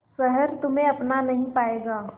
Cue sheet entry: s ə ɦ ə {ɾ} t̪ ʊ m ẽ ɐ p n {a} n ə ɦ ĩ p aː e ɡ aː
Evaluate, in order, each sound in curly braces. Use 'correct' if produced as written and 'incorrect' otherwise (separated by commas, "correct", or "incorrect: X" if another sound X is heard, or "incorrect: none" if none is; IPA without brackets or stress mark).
correct, correct